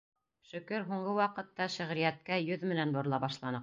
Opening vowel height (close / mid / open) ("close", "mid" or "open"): mid